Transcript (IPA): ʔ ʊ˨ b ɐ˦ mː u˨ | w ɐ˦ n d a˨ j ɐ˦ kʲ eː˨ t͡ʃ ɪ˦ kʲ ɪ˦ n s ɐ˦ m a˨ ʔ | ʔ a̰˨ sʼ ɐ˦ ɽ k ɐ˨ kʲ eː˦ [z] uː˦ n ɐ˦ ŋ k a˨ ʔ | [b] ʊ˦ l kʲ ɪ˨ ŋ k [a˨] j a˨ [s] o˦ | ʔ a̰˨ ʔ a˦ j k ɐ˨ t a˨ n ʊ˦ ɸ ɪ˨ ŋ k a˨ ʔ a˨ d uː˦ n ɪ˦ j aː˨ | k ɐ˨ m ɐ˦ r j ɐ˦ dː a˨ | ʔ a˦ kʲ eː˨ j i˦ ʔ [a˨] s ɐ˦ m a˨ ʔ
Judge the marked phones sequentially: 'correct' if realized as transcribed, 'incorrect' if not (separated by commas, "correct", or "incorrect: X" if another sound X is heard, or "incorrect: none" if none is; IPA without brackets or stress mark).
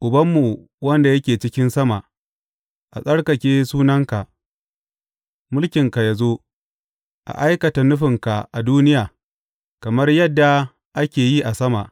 incorrect: s, incorrect: m, correct, incorrect: z, correct